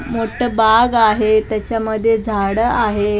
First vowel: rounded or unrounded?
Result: rounded